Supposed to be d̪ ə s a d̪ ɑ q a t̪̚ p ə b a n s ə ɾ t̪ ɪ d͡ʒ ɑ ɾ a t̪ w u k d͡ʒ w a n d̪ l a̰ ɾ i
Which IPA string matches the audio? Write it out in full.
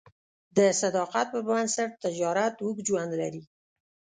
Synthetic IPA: d̪ ə s a d̪ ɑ q a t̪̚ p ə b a n s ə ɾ t̪ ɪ d͡ʒ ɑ ɾ a t̪ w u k d͡ʒ w a n d̪ l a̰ ɾ i